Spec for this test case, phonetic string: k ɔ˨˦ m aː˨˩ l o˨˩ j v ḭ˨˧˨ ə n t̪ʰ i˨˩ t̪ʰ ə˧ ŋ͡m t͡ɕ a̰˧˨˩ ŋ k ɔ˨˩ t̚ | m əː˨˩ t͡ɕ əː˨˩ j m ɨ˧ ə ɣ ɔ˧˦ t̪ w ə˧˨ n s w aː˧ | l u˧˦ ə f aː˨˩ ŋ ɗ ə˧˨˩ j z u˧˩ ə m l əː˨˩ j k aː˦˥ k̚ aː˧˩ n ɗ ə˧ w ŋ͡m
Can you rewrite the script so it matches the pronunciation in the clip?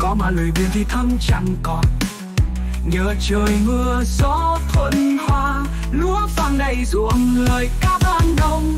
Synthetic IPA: k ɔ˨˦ m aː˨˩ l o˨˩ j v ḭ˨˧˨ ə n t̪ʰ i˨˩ t̪ʰ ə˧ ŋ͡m t͡ɕ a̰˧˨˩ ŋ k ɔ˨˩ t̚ | ɲ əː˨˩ t͡ɕ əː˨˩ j m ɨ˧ ə z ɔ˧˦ t̪ʰ w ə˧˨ n h w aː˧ | l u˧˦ ə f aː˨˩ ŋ ɗ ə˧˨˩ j z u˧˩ ə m l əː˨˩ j k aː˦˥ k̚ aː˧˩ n ɗ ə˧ w ŋ͡m